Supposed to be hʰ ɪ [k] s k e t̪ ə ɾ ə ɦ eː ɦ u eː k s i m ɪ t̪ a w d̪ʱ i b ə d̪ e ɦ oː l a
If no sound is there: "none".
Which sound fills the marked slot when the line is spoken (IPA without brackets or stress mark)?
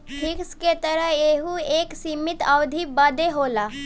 k